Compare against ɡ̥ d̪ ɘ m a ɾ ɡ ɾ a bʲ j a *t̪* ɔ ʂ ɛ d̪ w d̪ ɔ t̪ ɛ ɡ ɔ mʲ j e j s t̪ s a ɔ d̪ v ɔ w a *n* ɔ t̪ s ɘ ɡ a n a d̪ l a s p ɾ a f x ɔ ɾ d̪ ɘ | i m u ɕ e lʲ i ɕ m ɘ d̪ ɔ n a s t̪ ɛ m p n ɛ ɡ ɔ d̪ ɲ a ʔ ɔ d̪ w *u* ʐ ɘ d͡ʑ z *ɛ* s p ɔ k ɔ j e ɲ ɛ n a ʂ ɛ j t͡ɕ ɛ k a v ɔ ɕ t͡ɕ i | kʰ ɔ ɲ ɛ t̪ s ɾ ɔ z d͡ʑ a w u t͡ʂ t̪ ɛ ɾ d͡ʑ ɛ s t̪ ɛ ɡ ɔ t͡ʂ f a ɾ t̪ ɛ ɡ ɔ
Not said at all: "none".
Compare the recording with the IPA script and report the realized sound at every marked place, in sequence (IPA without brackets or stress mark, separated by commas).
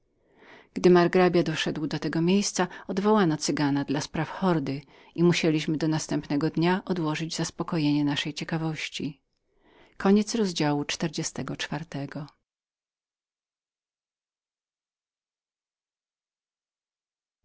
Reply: d̪, n, ɔ, a